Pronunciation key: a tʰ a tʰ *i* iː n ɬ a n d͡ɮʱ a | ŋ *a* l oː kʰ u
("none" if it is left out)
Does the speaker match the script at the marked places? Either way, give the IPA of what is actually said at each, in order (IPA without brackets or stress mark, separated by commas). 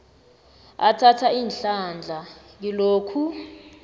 a, i